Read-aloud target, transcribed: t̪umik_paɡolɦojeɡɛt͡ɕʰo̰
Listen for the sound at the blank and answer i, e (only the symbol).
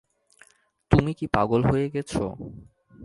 i